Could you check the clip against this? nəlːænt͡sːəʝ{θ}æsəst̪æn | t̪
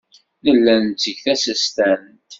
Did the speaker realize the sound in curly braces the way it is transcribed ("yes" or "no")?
yes